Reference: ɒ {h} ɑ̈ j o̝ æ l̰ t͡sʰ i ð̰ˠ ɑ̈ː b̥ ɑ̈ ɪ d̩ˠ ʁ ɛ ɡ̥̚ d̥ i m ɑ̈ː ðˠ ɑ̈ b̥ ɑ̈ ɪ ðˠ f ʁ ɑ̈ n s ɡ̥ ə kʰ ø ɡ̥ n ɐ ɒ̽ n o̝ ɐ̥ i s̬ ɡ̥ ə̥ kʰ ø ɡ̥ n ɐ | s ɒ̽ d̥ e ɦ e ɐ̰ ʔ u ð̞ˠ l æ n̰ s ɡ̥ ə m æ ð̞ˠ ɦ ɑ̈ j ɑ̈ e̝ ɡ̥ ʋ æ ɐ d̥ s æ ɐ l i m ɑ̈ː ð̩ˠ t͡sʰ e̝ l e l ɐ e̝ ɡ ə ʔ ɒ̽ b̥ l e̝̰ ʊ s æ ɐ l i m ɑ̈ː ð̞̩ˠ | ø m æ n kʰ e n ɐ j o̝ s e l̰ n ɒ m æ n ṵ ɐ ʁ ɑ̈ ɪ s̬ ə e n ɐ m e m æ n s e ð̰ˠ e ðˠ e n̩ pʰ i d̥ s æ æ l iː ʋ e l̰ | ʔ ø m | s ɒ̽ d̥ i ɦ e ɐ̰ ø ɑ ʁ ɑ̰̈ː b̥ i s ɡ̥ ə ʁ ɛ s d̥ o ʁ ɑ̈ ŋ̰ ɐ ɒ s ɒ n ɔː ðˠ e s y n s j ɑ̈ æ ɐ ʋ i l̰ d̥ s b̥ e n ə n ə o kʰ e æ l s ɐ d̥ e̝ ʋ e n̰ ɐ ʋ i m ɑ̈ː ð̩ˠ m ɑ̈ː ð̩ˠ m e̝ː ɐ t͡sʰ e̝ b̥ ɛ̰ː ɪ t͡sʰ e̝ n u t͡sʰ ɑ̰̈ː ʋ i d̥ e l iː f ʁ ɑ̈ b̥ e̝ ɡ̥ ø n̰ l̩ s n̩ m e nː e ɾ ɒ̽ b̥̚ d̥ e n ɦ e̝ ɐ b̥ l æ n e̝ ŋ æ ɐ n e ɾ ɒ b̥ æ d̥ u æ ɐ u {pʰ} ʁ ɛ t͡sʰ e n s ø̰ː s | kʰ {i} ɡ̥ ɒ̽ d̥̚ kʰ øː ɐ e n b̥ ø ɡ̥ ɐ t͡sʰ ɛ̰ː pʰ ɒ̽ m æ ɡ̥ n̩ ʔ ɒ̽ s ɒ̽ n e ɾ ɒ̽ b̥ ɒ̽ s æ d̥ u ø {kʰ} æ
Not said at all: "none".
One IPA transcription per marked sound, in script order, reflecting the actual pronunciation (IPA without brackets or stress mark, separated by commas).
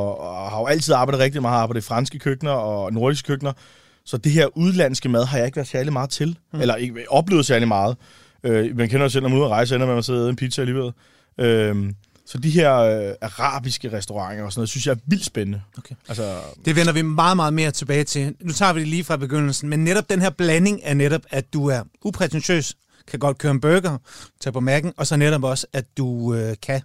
h, pʰ, æ, kʰ